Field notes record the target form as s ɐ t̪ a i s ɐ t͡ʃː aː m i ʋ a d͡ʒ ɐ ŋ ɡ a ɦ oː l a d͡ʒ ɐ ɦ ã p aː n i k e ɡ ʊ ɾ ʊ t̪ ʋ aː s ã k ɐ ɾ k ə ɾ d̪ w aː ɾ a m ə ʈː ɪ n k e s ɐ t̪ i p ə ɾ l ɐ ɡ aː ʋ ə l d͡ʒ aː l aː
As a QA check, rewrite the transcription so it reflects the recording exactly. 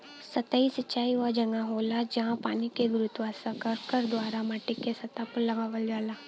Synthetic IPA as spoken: s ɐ t̪ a i s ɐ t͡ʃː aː i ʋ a d͡ʒ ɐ ŋ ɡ a ɦ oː l a d͡ʒ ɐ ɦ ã p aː n i k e ɡ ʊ ɾ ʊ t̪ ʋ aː s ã k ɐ ɾ k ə ɾ d̪ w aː ɾ a m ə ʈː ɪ k e s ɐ t̪ a p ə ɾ l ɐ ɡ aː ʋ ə l d͡ʒ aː l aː